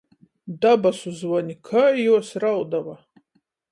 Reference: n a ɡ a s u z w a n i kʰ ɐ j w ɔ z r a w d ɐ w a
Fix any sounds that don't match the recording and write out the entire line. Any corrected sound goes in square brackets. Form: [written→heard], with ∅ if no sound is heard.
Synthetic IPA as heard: [n→d] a [ɡ→b] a s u z w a n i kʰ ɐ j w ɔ [z→s] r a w d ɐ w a